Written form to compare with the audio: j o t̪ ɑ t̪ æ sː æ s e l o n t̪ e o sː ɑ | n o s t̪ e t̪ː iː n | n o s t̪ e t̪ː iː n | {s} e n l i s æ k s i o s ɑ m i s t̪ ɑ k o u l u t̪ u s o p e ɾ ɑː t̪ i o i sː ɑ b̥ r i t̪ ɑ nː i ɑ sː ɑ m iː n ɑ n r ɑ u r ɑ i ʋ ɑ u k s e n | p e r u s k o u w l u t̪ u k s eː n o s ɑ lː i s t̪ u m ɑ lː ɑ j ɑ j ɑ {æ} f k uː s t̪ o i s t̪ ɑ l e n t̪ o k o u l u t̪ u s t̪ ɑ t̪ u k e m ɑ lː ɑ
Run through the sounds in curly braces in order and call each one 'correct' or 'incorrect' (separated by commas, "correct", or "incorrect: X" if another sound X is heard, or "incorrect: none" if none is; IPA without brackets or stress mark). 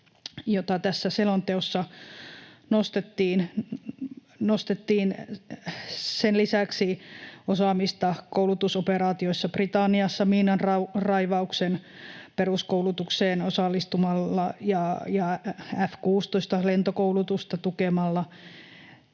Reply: correct, correct